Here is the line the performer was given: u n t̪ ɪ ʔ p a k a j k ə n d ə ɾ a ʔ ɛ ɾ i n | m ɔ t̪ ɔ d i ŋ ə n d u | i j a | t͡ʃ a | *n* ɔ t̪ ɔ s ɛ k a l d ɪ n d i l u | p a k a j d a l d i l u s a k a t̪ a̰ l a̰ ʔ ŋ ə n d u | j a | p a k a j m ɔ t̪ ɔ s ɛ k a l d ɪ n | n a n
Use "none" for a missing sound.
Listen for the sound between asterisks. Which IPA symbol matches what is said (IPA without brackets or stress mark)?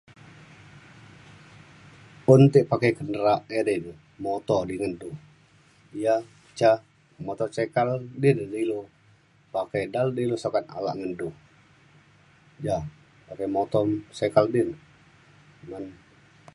m